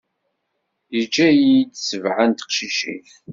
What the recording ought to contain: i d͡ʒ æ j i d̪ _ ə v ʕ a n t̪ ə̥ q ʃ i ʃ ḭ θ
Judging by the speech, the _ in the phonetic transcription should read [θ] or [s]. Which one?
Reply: s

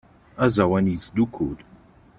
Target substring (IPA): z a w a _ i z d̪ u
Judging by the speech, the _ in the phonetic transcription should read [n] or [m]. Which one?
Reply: n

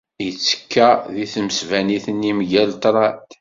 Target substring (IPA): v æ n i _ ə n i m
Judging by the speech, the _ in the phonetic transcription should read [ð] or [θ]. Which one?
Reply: θ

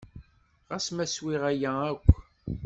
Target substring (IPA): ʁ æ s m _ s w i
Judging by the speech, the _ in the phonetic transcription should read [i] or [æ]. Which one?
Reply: æ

